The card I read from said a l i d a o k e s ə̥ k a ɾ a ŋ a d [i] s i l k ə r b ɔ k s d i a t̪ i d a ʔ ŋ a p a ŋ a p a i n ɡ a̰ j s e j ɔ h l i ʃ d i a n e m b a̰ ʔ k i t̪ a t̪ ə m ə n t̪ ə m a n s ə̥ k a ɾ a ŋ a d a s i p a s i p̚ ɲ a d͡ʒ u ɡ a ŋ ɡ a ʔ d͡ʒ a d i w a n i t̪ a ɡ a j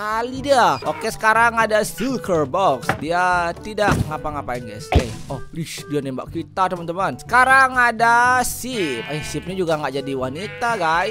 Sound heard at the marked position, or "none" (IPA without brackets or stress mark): a